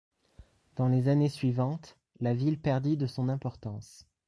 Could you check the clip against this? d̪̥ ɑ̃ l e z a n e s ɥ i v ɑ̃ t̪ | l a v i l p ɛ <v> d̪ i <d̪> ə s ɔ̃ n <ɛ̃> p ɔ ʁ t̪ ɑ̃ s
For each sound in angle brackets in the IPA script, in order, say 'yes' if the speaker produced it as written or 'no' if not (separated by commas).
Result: no, yes, yes